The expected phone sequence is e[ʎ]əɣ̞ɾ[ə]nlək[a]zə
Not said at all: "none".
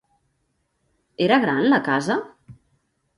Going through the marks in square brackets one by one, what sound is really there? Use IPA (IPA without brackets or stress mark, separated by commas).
ɾ, a, a